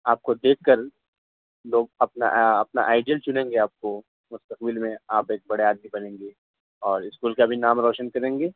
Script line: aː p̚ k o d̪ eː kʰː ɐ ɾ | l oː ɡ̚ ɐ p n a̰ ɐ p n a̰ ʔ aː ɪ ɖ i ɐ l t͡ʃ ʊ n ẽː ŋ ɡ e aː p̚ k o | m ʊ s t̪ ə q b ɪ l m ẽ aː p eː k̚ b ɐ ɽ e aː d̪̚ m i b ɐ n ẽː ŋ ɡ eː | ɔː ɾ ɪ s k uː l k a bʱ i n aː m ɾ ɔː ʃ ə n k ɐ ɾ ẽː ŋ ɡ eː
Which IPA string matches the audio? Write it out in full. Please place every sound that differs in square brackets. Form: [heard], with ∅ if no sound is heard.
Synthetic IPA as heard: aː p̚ k o d̪ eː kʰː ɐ ɾ | l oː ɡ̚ ɐ p n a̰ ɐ p n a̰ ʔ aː ɪ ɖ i [ə] l t͡ʃ ʊ n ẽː ŋ ɡ e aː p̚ k o | m ʊ s t̪ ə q b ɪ l m ẽ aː p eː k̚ b ɐ ɽ e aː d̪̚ m i b ɐ n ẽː ŋ ɡ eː | ɔː ɾ ɪ s k uː l k a bʱ i n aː m ɾ ɔː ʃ ə n k ɐ ɾ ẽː ŋ ɡ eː